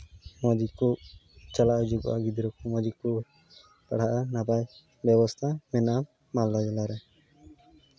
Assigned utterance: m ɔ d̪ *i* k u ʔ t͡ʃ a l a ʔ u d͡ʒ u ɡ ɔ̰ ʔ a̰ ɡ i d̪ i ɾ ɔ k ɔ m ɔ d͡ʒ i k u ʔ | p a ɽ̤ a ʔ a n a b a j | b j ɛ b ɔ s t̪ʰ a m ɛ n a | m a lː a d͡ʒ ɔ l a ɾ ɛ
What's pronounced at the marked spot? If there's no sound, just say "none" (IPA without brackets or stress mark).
i